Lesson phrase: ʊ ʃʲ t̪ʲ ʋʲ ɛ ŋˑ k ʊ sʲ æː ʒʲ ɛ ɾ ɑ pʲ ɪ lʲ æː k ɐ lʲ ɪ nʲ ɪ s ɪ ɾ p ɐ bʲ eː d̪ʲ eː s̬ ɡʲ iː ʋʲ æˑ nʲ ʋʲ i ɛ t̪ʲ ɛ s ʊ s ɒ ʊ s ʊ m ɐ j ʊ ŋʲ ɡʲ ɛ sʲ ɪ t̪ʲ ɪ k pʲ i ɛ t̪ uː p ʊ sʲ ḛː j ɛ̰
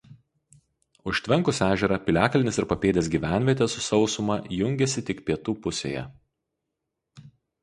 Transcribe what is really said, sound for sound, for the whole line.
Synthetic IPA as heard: ʊ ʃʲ t̪ʲ ʋʲ ɛ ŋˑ k ʊ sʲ æː ʒʲ ɛ ɾ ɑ pʲ ɪ lʲ æː k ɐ lʲ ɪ nʲ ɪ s ɪ ɾ p ɐ pʲ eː d̪ʲ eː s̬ ɡʲ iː ʋʲ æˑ nʲ ʋʲ i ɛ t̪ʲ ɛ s ʊ s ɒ ʊ s ʊ m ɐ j ʊ ŋʲ ɡʲ ɛ sʲ ɪ t̪ʲ ɪ k pʲ i ɛ t̪ uː p ʊ sʲ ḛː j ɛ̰

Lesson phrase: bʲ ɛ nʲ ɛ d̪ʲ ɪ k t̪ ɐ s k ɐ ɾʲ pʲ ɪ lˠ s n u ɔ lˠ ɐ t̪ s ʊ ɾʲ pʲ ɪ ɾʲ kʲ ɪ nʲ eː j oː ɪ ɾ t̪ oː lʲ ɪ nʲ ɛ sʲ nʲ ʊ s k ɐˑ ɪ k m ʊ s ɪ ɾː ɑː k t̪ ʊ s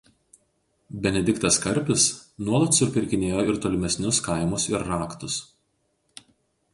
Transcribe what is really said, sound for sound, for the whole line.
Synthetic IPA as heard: bʲ ɛ nʲ ɛ d̪ʲ ɪ k t̪ ɐ s k ɐ ɾʲ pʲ ɪ s n u ɔ lˠ ɐ t̪ s ʊ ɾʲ pʲ ɪ ɾʲ kʲ ɪ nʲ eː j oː ɪ ɾ t̪ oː lʲ ɪ mʲ ɛ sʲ nʲ ʊ s k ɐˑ ɪ m ʊ s ɪ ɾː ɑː k t̪ ʊ s

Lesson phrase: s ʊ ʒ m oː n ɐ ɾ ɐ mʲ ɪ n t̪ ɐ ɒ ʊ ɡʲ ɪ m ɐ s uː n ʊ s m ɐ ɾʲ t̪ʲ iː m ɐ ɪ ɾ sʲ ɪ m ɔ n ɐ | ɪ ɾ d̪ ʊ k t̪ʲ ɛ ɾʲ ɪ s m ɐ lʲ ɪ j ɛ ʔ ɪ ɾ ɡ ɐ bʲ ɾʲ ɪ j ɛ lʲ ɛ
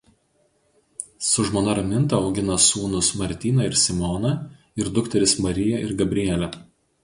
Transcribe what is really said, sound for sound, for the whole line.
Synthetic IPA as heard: s ʊ ʒ m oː n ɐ ɾ ɐ mʲ ɪ n t̪ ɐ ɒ ʊ ɡʲ ɪ n ɐ s uː n ʊ s m ɐ ɾʲ t̪ʲ iː n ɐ ɪ ɾ sʲ ɪ m ɔ n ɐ | ɪ ɾ d̪ ʊ k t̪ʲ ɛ ɾʲ ɪ s m ɐ ɾʲ ɪ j ɛ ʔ ɪ ɾ ɡ ɐ bʲ ɾʲ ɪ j ɛ lʲ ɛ

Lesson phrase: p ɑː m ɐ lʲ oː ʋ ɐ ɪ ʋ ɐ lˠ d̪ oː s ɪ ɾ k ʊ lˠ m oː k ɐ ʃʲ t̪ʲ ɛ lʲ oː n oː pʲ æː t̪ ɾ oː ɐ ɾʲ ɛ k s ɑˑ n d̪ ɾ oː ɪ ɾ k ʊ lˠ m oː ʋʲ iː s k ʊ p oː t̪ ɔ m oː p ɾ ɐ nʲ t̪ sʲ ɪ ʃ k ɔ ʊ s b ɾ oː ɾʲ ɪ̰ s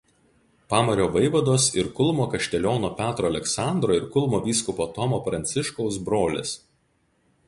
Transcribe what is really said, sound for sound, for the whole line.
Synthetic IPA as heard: p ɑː m ɐ ɾʲ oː ʋ ɐ ɪ ʋ ɐ d̪ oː s ɪ ɾ k ʊ lˠ m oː k ɐ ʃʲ t̪ʲ ɛ lʲ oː n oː pʲ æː t̪ ɾ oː ɐ lʲ ɛ k s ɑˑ n d̪ ɾ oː ɪ ɾ k ʊ lˠ m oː ʋʲ iː s k ʊ p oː t̪ ɔ m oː p ɾ ɐ nʲ t̪ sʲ ɪ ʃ k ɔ ʊ s b ɾ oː lʲ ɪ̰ s

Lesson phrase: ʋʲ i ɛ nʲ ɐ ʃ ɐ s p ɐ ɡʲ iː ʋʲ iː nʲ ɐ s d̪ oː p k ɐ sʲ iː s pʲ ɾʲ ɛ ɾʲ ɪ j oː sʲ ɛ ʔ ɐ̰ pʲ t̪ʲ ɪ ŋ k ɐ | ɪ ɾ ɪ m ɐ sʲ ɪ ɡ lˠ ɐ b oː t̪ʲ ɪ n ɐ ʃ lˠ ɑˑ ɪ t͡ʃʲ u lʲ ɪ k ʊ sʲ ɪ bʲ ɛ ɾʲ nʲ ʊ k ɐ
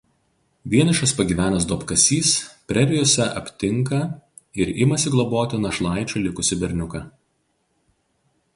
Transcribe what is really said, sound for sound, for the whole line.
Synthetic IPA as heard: ʋʲ i ɛ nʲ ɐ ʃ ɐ s p ɐ ɡʲ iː ʋʲ æː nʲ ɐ s d̪ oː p k ɐ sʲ iː s pʲ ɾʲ ɛ ɾʲ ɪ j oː sʲ ɛ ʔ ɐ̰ pʲ t̪ʲ ɪ ŋ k ɐ | ɪ ɾ ɪ m ɐ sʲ ɪ ɡ lˠ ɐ b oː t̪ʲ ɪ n ɐ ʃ lˠ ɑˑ ɪ t͡ʃʲ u lʲ ɪ k ʊ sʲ ɪ bʲ ɛ ɾʲ nʲ ʊ k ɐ

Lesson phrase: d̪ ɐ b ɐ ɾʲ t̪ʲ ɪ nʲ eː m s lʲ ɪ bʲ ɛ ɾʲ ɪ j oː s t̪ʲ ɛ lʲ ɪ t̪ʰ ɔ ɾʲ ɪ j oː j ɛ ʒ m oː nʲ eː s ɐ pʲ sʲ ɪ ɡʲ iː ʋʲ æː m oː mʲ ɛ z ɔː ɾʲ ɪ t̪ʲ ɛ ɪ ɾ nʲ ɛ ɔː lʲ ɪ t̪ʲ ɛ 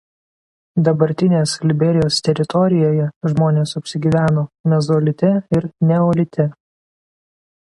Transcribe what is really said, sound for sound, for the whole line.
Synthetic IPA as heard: d̪ ɐ b ɐ ɾʲ t̪ʲ ɪ nʲ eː s lʲ ɪ bʲ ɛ ɾʲ ɪ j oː s t̪ʲ ɛ ɾʲ ɪ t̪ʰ ɔ ɾʲ ɪ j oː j ɛ ʒ m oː nʲ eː s ɐ pʲ sʲ ɪ ɡʲ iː ʋʲ æː n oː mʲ ɛ z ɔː lʲ ɪ t̪ʲ ɛ ɪ ɾ nʲ ɛ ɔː lʲ ɪ t̪ʲ ɛ

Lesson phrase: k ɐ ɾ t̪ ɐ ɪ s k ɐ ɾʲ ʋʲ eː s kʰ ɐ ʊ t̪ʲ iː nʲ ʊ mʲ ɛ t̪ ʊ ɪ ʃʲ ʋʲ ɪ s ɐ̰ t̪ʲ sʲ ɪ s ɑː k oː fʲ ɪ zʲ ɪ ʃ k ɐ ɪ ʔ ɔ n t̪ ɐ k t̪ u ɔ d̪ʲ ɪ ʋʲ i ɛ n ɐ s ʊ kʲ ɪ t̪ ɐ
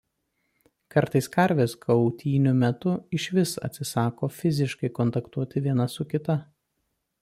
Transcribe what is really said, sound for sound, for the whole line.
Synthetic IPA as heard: k ɐ ɾ t̪ ɐ ɪ s k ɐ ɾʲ ʋʲ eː s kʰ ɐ ʊ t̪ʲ iː nʲ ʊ mʲ ɛ t̪ ʊ ɪ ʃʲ ʋʲ ɪ s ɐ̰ t̪ʲ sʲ ɪ s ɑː k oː fʲ ɪ zʲ ɪ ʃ k ɐ ɪ k ɔ n t̪ ɐ k t̪ u ɔ t̪ʲ ɪ ʋʲ i ɛ n ɐ s ʊ kʲ ɪ t̪ ɐ

